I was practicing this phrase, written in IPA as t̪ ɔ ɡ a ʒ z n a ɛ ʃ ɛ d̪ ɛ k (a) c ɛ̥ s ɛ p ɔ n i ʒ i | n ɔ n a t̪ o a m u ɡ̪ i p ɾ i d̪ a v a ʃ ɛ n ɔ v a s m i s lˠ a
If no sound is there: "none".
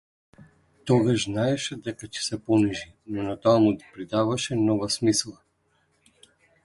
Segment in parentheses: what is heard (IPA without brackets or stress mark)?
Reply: a